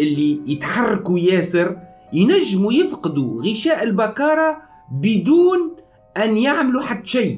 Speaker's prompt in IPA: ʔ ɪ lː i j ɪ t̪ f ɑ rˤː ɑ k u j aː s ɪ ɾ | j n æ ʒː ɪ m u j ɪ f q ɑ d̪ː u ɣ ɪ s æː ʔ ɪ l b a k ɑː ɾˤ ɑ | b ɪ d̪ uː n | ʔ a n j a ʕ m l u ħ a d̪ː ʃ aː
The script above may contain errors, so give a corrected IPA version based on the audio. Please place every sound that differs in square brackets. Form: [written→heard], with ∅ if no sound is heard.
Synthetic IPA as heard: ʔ ɪ lː i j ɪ t̪ [f→ħ] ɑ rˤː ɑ k u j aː s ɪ ɾ | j n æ ʒː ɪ m u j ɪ f q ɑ [d̪ː→d̪] u ɣ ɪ [s→ʃ] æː ʔ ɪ l b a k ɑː ɾˤ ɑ | b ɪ d̪ uː n | ʔ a n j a ʕ m l u ħ a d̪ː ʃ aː